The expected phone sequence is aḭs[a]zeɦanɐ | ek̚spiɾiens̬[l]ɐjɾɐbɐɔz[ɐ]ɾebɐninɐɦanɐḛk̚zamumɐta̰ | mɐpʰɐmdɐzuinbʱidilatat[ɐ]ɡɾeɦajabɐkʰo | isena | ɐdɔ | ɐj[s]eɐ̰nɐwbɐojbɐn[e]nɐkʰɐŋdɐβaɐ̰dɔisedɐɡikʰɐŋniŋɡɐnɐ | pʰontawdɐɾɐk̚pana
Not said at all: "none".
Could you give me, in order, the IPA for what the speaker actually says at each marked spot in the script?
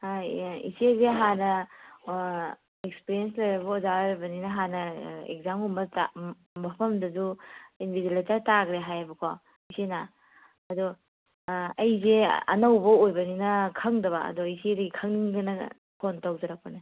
e, l, a, a, z, i

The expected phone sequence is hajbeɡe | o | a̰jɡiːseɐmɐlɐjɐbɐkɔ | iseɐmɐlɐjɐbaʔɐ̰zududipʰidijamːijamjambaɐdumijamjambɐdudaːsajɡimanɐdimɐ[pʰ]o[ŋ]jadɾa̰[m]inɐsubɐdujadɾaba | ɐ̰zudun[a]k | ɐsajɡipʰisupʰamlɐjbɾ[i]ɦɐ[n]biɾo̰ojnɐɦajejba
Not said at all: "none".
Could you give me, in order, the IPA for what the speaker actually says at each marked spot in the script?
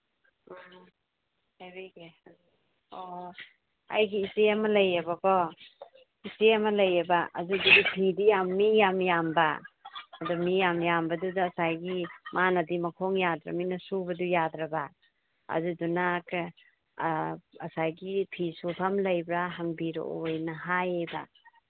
kʰ, ŋ, m, a, a, ŋ

